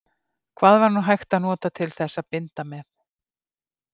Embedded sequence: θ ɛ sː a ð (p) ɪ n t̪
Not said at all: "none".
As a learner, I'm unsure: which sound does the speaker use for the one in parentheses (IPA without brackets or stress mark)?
p